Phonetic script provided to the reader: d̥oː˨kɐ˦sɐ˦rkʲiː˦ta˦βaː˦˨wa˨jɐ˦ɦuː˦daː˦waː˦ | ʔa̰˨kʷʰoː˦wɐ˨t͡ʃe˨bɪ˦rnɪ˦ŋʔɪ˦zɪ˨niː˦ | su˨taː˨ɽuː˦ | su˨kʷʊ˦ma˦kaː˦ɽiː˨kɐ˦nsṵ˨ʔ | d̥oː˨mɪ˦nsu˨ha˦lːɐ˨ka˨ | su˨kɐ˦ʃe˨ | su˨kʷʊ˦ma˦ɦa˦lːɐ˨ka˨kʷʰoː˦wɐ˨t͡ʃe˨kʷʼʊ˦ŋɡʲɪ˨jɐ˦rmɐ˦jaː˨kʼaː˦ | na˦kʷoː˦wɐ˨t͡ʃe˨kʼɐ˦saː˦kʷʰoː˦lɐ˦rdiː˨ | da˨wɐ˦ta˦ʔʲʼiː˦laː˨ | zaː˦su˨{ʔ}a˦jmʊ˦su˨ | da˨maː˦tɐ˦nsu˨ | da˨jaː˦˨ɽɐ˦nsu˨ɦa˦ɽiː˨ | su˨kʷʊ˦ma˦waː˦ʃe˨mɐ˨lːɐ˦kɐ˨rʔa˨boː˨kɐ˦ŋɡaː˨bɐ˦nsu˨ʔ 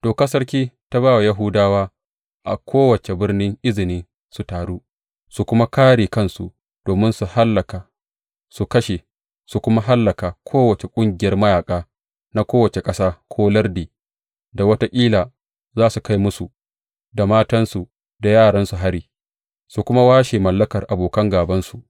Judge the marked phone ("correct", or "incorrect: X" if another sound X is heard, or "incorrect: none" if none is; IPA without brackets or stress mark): incorrect: k